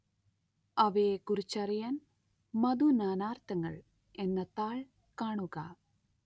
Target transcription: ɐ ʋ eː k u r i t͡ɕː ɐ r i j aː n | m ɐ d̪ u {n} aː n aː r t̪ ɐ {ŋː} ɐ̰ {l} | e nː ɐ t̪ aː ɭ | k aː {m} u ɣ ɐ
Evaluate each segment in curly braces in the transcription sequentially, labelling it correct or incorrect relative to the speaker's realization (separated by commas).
correct, correct, incorrect, incorrect